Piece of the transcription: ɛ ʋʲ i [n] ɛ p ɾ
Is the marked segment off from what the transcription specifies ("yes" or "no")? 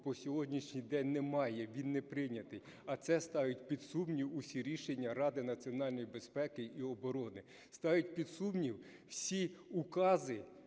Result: yes